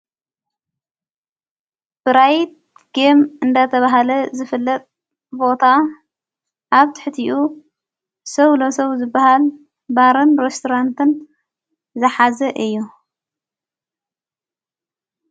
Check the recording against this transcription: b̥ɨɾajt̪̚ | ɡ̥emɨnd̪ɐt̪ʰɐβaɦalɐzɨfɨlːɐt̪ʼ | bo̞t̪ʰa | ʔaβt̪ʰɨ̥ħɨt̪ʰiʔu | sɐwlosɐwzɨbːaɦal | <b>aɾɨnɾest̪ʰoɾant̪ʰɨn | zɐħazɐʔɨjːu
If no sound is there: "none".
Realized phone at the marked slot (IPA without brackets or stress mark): b